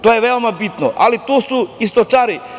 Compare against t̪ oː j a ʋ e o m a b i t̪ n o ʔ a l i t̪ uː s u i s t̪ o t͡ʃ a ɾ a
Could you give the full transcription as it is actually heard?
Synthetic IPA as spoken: t̪ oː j e ʋ e o m a b i t̪ n o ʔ a l i t̪ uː s u i s t̪ o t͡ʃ a ɾ i